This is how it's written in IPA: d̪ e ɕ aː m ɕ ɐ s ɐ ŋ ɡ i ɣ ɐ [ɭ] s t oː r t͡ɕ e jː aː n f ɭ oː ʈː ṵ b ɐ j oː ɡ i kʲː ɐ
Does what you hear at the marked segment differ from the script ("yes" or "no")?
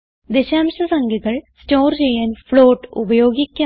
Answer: no